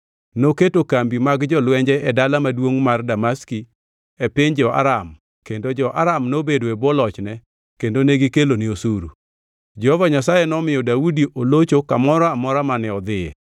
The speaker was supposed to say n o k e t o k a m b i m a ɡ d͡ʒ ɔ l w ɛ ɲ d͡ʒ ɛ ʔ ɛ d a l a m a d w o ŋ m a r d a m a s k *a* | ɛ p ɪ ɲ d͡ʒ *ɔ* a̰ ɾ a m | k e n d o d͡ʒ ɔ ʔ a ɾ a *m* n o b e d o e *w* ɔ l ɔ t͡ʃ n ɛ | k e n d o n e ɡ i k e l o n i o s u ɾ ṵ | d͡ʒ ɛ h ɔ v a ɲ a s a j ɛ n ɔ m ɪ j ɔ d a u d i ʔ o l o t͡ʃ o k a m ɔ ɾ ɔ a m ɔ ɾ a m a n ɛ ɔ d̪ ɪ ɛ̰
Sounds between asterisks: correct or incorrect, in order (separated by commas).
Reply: incorrect, correct, correct, incorrect